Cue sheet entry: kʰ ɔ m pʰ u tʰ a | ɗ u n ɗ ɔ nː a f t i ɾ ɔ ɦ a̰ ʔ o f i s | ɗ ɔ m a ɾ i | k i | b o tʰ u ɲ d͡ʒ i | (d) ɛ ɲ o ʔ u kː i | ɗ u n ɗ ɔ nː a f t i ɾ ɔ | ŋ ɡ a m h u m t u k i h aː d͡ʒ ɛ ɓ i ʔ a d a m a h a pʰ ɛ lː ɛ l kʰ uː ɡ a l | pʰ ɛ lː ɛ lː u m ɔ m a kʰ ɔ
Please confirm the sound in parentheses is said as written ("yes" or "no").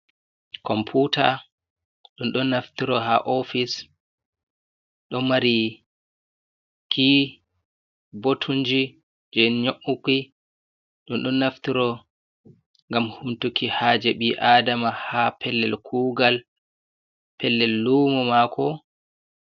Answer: no